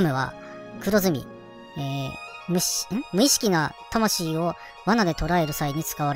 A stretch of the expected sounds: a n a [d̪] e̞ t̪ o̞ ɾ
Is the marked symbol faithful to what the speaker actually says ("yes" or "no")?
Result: yes